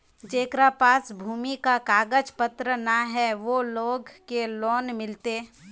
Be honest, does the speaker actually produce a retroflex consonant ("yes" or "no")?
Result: no